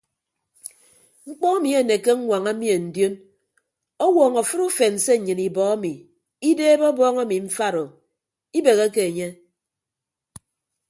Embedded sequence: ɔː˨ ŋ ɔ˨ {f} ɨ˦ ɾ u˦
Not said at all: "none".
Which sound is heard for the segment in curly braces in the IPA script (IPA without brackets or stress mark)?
f